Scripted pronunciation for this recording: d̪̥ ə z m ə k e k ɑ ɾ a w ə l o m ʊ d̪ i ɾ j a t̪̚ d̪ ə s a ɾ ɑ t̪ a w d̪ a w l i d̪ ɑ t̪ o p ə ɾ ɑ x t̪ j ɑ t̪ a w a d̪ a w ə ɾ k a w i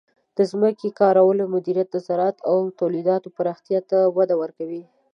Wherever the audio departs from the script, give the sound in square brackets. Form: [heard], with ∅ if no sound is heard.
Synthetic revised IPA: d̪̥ ə z m ə k e k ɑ ɾ a w ə l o m ʊ d̪ i ɾ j a t̪̚ d̪ ə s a ɾ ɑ t̪ a w [t̪] a w l i d̪ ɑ t̪ o p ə ɾ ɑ x t̪ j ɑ t̪ a w a d̪ a w ə ɾ k a w i

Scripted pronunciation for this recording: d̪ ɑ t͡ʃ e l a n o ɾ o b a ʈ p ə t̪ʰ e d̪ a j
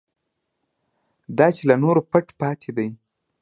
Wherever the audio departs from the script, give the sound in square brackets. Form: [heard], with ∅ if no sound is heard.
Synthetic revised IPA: d̪ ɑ t͡ʃ e l a n o ɾ o [p] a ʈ p [ɑ] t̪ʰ e d̪ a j

